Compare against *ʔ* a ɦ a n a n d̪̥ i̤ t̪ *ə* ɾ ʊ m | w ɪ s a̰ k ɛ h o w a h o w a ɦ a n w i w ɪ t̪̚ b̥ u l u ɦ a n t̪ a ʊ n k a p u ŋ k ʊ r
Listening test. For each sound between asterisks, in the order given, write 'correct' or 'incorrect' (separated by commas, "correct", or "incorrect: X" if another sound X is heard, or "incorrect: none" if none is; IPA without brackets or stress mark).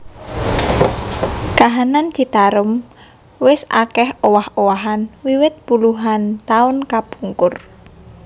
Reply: incorrect: k, incorrect: a